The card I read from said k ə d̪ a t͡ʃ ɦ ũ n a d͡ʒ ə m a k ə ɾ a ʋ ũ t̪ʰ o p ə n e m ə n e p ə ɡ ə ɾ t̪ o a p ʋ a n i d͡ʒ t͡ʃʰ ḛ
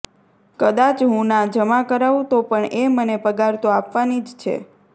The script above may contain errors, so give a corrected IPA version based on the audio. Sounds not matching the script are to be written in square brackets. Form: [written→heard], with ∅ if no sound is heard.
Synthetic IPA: k ə d̪ a t͡ʃ ɦ ũ n a d͡ʒ ə m a k ə ɾ a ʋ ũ [t̪ʰ→t̪] o p ə [n→ɳ] e m ə n e p ə ɡ [ə→a] ɾ t̪ o a p ʋ a n i d͡ʒ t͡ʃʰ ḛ